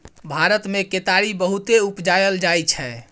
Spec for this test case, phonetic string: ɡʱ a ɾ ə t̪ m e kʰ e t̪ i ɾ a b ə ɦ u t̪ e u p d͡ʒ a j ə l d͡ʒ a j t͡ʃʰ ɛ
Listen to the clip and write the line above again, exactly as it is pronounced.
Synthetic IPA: bʱ a ɾ ə t̪ m e k e t̪ a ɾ i b ə ɦ u t̪ e u p d͡ʒ a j ə l d͡ʒ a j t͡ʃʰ ɛ

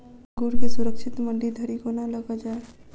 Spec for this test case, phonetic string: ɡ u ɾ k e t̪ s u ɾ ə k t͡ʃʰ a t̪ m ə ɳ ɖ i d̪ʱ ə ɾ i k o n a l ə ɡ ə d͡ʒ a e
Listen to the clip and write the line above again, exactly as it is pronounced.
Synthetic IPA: ɡ u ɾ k e s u ɾ ə k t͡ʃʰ i t̪ m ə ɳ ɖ i d̪ʱ ə ɾ i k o n a l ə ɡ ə d͡ʒ a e

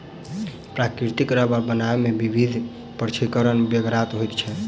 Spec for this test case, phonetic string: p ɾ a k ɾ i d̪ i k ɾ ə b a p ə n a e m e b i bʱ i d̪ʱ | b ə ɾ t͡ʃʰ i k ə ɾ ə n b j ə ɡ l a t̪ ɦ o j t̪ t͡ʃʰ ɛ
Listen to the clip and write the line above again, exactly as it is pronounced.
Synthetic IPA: p ɾ a k ɾ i t̪ i k ɾ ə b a b ə n a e m e b i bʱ i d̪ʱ | p ə ɾ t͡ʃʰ i k ə ɾ ə n b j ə ɡ ɾ a t̪ ɦ o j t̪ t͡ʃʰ ɛ

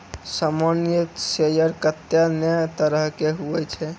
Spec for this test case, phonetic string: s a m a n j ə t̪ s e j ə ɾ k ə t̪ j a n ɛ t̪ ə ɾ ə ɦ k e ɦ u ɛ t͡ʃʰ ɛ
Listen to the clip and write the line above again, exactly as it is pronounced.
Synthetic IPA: s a m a n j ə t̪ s e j ə ɾ k ə t̪ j a n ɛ t̪ ə ɾ ə ɦ k e ɦ u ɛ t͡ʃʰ ɛ

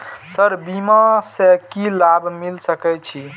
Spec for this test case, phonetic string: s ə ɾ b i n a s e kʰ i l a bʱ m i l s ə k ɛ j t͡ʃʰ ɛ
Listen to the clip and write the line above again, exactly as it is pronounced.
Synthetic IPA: s ə ɾ b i m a s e k i l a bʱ m i l s ə k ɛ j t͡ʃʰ i

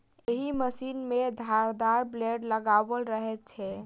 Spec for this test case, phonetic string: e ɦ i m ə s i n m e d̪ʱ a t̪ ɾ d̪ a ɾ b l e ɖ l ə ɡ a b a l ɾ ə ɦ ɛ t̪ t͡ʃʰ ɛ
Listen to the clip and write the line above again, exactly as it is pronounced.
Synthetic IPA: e ɦ i m ə s i n m e d̪ʱ a ɾ d̪ a ɾ b l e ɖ l ə ɡ a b ə l ɾ ə ɦ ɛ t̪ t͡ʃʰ ɛ

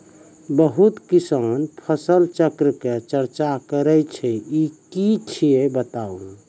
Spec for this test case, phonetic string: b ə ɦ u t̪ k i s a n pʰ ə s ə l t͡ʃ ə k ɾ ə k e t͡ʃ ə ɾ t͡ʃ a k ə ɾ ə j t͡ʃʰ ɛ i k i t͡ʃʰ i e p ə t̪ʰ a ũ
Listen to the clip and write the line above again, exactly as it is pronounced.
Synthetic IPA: b ə ɦ u t̪ k i s a n pʰ ə s ə l t͡ʃ ə k ɾ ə k e t͡ʃ ə ɾ t͡ʃ a k ə ɾ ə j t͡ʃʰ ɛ i k i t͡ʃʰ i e b ə t̪ a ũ

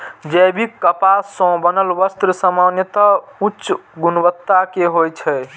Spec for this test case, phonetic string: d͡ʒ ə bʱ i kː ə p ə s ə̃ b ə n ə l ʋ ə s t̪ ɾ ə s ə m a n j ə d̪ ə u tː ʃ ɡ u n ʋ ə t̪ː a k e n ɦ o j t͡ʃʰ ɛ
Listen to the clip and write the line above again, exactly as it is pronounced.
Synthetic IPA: d͡ʒ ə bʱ i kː ə p a s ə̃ b ə n ə l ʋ ə s t̪ ɾ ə s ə m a n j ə t̪ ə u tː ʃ ɡ u n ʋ ə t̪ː a k e ɦ o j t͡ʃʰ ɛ

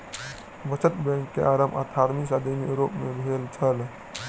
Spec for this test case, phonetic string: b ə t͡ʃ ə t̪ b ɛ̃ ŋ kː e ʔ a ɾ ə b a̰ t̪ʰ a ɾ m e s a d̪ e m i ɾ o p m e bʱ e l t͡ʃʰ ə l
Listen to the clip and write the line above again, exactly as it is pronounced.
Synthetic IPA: b ə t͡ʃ ə t̪ b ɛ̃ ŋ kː e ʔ a ɾ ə m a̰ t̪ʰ a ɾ m i s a d̪ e m i ɾ o p m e bʱ e l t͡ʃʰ ə l

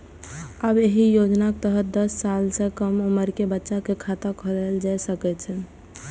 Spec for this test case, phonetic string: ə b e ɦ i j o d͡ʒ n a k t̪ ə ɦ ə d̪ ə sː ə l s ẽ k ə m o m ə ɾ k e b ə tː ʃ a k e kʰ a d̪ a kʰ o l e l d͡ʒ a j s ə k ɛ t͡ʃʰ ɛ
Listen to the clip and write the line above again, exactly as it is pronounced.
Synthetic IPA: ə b e ɦ i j o d͡ʒ n a k t̪ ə ɦ ə d̪ ə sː a l s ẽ k ə m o m ə ɾ k e b ə tː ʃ a k e kʰ a t̪ a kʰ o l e l d͡ʒ a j s ə k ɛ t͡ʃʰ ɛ

